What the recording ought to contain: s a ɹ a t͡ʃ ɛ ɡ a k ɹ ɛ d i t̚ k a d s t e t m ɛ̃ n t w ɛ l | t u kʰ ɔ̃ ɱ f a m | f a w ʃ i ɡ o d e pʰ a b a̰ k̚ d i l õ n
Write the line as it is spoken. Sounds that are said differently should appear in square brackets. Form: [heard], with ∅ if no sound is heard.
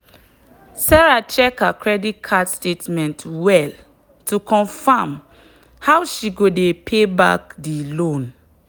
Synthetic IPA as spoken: s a ɹ a t͡ʃ ɛ [k] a k ɹ ɛ d i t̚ [kʰ] a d s t e t m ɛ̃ n t w ɛ l | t u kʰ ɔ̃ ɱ f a m | [h] a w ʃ i ɡ o d e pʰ [e] b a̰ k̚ d i l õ n

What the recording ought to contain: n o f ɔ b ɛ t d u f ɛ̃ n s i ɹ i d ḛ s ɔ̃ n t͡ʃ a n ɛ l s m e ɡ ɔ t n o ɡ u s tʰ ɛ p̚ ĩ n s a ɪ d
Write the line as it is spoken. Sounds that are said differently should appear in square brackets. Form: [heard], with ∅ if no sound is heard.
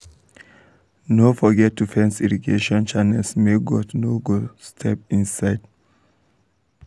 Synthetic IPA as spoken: n o f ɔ [ɡ] ɛ t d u f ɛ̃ n s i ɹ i [ɡ] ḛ [ʃ] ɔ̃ n t͡ʃ a n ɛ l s m e ɡ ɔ t n o ɡ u s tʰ ɛ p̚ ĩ n s a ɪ d

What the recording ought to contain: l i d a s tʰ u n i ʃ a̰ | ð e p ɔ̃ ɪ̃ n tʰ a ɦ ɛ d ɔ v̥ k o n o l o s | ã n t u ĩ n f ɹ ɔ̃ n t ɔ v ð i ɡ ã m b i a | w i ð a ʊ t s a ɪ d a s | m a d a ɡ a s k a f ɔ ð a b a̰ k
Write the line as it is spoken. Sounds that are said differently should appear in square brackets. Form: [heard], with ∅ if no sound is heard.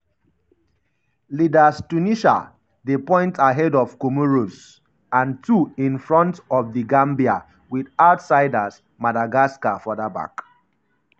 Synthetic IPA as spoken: l i d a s [t] u n i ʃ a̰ | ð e p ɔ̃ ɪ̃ n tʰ a ɦ ɛ d ɔ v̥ k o [m] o [ɹ] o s | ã n t u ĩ n f ɹ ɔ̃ n t ɔ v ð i ɡ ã m b i a | w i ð a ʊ t s a ɪ d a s | m a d a ɡ a s k a f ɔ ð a b a̰ k

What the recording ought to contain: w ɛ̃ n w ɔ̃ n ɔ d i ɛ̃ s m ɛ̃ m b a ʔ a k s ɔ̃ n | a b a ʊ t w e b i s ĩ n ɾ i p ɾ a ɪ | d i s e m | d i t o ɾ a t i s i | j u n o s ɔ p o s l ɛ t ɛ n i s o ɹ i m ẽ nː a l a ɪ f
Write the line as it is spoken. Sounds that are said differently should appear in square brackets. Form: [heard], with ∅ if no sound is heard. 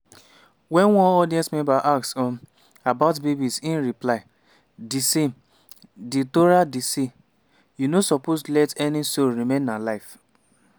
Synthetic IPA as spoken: w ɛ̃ n w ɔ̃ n ɔ d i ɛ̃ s m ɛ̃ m b a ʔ a k s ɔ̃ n | a b a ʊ t [b] e b i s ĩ n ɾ i p [l] a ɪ | d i s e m | d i t o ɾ a [d] i s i | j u n o s ɔ p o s l ɛ t ɛ n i s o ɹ i m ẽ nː a l a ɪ f

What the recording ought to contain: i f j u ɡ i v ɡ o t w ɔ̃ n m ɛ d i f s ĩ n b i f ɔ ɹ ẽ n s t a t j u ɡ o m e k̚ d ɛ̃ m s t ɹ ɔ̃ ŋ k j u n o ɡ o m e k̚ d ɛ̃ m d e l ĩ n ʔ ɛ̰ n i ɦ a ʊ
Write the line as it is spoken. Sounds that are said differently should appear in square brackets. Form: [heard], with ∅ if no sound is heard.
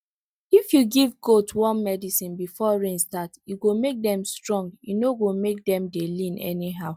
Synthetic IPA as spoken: i f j u ɡ i v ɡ o t w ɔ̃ n m ɛ d i [∅] s ĩ n b i f ɔ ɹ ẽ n s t a t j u ɡ o m e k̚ d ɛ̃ m s t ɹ ɔ̃ ŋ [ɡ] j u n o ɡ o m e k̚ d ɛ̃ m d e l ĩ n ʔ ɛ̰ n i ɦ a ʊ

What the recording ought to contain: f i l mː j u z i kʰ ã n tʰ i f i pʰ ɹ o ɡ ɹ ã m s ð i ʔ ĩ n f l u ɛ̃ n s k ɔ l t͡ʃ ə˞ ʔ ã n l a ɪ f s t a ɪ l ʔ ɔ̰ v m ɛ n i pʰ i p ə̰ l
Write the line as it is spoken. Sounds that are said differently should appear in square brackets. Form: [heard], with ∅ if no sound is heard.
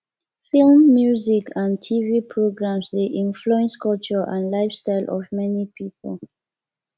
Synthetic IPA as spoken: f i l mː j u z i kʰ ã n tʰ i [v] i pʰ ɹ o ɡ ɹ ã m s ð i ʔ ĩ n f l u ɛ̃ n s k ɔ l t͡ʃ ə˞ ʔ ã n l a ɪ f s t a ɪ l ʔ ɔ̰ v m ɛ n i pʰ i p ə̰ l

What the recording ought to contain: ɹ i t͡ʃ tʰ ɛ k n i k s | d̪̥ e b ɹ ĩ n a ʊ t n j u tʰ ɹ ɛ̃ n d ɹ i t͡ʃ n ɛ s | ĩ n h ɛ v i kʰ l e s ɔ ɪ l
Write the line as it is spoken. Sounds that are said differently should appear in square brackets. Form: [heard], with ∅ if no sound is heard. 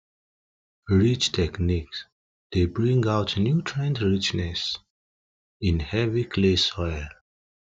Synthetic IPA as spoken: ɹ i t͡ʃ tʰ ɛ k n i k s | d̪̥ e b ɹ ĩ [ŋ] a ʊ t n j u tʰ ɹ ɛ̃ n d ɹ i t͡ʃ n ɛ s | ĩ n h ɛ v i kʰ l e s ɔ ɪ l

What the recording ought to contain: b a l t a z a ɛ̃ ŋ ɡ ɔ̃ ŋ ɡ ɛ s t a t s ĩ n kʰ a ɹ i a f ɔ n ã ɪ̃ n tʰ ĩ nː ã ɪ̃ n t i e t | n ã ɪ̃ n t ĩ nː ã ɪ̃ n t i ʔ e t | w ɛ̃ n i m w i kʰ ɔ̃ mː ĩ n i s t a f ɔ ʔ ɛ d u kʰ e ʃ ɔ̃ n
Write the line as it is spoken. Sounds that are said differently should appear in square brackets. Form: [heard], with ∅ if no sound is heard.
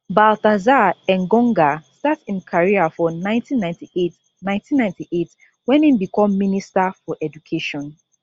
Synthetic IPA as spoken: b a l t a z a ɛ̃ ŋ ɡ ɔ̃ ŋ ɡ [a] s t a t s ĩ n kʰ a ɹ i a f ɔ n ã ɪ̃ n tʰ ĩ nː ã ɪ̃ n t i e t | n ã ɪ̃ n t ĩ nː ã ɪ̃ n t i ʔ e t | w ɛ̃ n i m [b] i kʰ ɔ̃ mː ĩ n i s t a f ɔ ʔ ɛ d u kʰ e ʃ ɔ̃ n

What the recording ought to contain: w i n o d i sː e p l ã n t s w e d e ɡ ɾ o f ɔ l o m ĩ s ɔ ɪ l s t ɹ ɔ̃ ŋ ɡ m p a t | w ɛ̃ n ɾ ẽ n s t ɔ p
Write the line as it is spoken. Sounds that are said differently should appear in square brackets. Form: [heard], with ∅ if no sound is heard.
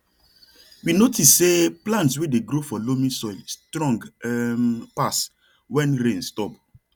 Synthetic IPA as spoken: w i n o [t] i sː e p l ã n t s w e d e ɡ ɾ o f ɔ l o m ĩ s ɔ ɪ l s t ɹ ɔ̃ ŋ ɡ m p a [s] | w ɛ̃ n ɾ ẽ n s t ɔ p

